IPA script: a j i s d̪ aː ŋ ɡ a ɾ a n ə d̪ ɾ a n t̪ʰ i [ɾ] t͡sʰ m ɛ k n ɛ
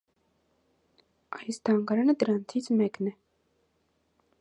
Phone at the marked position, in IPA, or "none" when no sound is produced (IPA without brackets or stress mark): none